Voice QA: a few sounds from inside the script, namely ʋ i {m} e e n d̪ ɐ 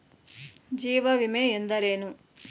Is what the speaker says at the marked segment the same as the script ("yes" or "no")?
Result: yes